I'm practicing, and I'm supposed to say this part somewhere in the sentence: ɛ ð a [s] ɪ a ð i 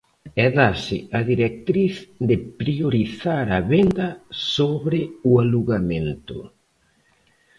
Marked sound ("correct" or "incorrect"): correct